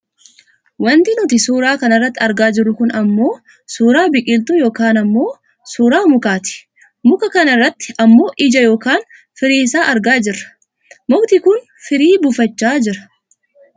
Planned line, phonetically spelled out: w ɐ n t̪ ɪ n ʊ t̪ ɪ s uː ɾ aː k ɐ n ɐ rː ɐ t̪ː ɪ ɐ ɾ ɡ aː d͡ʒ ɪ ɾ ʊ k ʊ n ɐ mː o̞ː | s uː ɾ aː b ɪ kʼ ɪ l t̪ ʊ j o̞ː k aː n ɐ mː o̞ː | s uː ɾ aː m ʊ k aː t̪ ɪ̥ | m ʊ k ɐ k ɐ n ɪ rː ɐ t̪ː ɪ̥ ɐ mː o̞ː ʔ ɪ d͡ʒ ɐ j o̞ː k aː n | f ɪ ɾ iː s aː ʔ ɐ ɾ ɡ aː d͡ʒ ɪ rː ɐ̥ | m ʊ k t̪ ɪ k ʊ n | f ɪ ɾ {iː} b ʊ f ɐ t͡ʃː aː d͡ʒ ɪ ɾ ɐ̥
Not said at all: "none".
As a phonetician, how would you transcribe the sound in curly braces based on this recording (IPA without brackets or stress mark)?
iː